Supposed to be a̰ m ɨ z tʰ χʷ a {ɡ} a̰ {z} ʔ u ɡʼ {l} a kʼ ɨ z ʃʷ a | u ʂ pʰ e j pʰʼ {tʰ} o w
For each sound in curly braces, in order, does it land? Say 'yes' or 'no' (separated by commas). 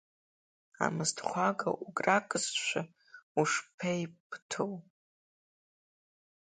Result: yes, no, no, yes